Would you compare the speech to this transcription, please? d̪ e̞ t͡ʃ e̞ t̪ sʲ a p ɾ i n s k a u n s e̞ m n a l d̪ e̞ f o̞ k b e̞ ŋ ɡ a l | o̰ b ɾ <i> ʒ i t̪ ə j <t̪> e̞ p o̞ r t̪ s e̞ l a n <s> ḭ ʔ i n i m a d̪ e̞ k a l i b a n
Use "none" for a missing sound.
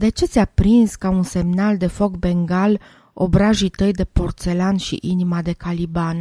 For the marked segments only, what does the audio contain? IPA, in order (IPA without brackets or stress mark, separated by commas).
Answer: a, d̪, ʃ